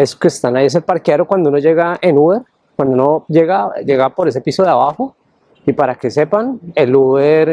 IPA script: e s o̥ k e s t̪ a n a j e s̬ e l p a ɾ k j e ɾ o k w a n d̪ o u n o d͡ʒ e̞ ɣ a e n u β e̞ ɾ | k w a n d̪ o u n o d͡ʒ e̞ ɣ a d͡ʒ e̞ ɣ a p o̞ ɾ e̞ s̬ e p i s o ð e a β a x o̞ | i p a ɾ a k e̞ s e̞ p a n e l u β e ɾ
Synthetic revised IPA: e s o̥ k e s t̪ a n a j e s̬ e l p a ɾ k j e ɾ o k w a n d̪ o u n o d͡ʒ e̞ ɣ a e n u β e̞ ɾ | k w a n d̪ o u n o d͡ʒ e̞ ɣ a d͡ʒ e̞ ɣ a p o̞ ɾ e̞ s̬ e p i s o ð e a β a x o̞ | i p a ɾ a k e̞ s e̞ p a n e l u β e ɾ